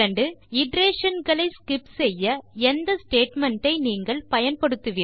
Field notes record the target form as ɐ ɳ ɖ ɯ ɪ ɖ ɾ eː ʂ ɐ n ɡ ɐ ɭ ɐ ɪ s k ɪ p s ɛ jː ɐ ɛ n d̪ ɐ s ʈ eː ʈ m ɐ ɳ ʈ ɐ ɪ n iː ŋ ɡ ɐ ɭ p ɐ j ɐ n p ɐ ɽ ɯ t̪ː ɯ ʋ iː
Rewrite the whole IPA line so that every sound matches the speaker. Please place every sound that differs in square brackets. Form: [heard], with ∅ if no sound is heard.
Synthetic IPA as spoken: ɐ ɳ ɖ ɯ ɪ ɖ ɾ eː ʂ ɐ n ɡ ɐ ɭ ɐ ɪ s k ɪ p s ɛ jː ɐ ɛ n d̪ ɐ s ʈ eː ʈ m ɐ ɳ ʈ ɐ ɪ n iː ŋ ɡ ɐ ɭ p ɐ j ɐ n p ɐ ɽ ɯ t̪ː ɯ ʋ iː